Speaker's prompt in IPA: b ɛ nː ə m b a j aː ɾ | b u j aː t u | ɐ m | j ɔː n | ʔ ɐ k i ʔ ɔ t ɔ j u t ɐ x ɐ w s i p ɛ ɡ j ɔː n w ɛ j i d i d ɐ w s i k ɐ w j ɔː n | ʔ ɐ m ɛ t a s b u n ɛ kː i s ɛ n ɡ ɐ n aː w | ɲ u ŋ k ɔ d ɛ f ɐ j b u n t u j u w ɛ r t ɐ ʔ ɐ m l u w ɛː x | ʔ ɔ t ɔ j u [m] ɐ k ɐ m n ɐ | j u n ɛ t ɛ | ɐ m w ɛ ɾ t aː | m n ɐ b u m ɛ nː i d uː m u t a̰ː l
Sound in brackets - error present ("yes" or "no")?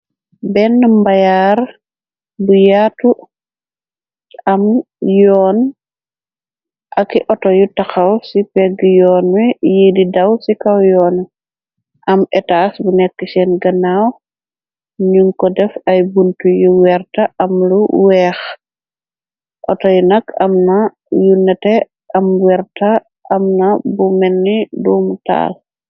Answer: yes